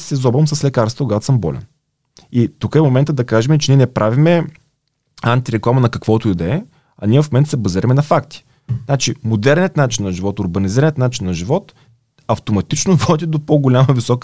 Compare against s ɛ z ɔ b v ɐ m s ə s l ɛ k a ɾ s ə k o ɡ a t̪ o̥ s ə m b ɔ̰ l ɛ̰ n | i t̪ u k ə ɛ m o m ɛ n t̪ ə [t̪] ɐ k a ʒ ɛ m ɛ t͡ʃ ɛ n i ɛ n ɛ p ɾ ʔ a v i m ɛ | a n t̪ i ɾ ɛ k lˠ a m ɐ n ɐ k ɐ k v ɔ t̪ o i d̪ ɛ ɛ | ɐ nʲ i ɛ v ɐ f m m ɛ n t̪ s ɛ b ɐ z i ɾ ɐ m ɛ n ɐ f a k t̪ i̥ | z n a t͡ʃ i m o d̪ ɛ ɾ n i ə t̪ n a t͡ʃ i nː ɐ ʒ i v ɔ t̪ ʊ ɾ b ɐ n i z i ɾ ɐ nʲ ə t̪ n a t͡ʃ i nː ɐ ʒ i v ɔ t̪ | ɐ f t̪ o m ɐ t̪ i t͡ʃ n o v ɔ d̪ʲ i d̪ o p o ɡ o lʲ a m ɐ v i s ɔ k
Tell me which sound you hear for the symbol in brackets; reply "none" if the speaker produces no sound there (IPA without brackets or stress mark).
d̪